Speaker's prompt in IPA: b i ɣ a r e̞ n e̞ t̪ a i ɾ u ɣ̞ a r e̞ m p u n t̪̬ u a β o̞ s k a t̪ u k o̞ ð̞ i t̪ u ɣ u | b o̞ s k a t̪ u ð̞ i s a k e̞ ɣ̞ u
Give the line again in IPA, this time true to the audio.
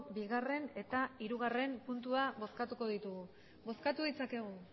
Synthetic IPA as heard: b i ɣ a r e̞ n e̞ t̪ a i ɾ u ɣ̞ a r e̞ m p u n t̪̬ u a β o̞ s k a t̪ u k o̞ ð̞ i t̪ u ɣ u | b o̞ s k a t̪ u ð̞ i t͡s a k e̞ ɣ̞ u